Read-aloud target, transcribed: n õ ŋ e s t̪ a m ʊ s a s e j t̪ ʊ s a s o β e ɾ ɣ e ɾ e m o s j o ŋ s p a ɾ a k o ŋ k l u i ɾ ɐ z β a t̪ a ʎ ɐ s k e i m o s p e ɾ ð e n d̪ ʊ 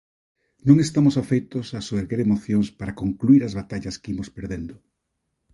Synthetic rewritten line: n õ ŋ e s t̪ a m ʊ s a f e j t̪ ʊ s a s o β e ɾ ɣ e ɾ e m o θ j o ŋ s p a ɾ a k o ŋ k l u i ɾ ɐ z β a t̪ a ʎ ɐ s k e i m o s p e ɾ ð e n d̪ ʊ